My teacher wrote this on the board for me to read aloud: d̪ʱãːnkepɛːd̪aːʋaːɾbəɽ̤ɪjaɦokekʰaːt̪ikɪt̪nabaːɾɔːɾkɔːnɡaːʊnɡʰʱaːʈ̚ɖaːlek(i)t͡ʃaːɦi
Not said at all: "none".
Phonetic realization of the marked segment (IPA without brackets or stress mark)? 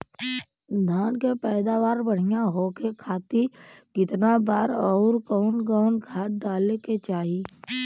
e